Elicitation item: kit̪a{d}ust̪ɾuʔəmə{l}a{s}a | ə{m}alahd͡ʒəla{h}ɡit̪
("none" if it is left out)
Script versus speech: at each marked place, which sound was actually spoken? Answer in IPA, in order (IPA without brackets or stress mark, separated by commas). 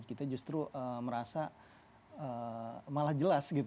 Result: d͡ʒ, ɾ, s, m, s